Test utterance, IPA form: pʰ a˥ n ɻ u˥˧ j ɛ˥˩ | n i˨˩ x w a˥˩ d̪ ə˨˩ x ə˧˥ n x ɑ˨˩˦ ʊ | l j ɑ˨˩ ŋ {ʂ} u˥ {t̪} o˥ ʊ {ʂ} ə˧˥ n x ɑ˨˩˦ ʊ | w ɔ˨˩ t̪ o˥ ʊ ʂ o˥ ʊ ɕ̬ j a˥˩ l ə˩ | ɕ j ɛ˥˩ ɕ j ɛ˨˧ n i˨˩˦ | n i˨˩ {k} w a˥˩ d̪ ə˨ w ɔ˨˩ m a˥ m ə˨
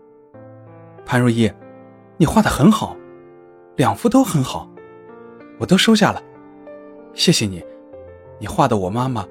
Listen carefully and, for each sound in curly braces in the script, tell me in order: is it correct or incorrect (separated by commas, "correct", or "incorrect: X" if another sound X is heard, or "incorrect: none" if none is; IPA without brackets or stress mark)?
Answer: incorrect: f, correct, incorrect: x, incorrect: x